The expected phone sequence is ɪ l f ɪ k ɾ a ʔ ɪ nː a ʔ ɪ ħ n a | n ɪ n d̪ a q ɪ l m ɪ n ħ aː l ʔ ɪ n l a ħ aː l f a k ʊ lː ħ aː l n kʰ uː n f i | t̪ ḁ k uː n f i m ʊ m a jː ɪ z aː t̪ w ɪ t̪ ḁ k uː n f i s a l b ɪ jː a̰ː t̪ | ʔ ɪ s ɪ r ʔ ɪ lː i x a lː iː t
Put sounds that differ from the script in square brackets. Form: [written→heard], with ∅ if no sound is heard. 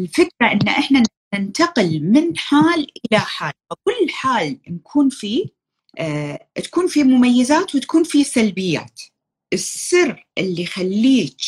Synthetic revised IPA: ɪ l f ɪ k ɾ a ʔ ɪ nː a ʔ ɪ ħ n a | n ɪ n [d̪→t̪] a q ɪ l m ɪ n ħ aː l ʔ ɪ [n→∅] l a ħ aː l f a k ʊ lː ħ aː l n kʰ uː n f i | t̪ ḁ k uː n f i m ʊ m a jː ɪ z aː t̪ w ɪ t̪ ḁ k uː n f i s a l b ɪ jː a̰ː t̪ | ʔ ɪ s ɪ r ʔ ɪ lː i x a lː iː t